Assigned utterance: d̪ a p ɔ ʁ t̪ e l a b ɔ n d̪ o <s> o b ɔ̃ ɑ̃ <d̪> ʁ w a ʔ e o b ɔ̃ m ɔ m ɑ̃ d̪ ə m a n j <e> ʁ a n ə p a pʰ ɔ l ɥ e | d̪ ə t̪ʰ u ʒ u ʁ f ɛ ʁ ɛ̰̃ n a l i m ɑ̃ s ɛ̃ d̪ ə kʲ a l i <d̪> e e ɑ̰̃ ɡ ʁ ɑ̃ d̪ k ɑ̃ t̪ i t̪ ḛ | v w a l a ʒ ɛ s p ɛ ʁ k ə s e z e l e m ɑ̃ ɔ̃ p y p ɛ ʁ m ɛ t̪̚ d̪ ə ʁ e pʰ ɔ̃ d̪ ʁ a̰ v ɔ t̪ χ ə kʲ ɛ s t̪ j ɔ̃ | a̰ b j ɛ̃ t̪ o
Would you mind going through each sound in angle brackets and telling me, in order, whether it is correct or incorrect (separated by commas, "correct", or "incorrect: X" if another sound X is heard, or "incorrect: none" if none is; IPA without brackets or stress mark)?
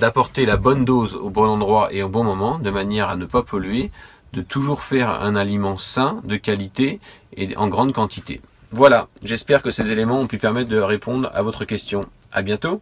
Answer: incorrect: z, correct, incorrect: ɛ, incorrect: t̪